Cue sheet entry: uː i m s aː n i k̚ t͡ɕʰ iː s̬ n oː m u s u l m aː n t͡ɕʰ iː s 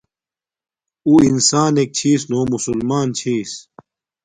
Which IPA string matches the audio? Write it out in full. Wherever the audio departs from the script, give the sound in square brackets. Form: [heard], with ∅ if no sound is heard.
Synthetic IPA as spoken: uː i [n] s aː n [e] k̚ t͡ɕʰ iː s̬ n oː m u s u l m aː n t͡ɕʰ iː s